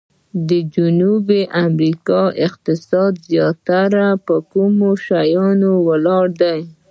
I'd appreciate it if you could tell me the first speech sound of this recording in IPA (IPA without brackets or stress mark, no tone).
d̪